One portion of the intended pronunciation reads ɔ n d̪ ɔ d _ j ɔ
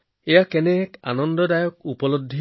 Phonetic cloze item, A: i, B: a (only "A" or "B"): B